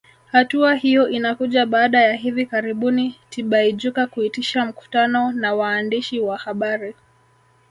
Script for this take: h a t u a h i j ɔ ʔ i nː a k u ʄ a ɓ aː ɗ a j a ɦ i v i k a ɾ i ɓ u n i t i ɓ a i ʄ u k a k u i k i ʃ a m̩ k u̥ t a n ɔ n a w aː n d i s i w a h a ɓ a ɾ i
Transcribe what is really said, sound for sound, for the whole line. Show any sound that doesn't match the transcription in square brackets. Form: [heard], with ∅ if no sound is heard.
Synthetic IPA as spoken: h a t u a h i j ɔ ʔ i [n] a k u ʄ a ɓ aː ɗ a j a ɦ i v i k a ɾ i ɓ u n i t i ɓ a i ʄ u k a k u i [t] i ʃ a m̩ k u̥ t a n ɔ n a w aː n d i [ʃ] i w a h a ɓ a ɾ i